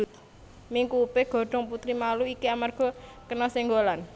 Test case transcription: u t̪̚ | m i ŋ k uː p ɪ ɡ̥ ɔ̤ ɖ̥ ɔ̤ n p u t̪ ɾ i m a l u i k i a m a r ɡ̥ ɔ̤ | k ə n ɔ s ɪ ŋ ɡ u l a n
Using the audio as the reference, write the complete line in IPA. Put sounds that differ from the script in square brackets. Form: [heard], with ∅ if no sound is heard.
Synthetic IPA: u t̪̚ | m i ŋ k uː p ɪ ɡ̥ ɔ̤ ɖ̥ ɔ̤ [ŋ] p u t̪ ɾ i m a l u i k i a m a r ɡ̥ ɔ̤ | k ə n ɔ s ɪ ŋ ɡ [o] l a n